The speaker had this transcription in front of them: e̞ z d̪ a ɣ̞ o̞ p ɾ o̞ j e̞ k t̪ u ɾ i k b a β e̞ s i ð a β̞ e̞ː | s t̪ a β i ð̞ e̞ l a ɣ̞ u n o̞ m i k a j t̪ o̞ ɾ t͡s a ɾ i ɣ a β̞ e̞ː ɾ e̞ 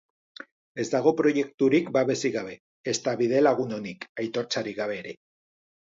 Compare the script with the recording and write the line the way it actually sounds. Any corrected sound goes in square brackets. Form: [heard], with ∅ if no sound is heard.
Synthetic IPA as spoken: e̞ z d̪ a ɣ̞ o̞ p ɾ o̞ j e̞ k t̪ u ɾ i k b a β e̞ s i [ɣ] a β̞ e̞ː | s t̪ a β i ð̞ e̞ l a ɣ̞ u n o̞ [n] i k a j t̪ o̞ ɾ t͡s a ɾ i ɣ a β̞ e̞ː ɾ e̞